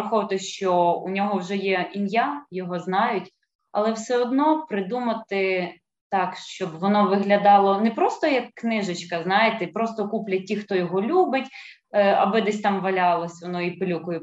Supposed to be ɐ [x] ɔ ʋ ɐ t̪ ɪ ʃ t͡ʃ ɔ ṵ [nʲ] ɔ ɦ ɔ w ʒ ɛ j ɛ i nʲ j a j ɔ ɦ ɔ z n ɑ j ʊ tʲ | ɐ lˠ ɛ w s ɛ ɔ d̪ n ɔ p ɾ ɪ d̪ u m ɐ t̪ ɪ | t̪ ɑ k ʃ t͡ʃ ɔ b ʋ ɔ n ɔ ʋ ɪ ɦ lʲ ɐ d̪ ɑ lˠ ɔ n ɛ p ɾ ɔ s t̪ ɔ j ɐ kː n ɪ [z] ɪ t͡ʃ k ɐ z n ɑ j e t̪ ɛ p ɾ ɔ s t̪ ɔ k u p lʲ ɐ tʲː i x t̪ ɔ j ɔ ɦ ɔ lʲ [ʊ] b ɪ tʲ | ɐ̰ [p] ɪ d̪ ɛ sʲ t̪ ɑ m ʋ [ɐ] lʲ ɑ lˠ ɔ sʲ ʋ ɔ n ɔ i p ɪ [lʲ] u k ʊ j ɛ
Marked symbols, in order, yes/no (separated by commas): yes, yes, no, no, no, yes, yes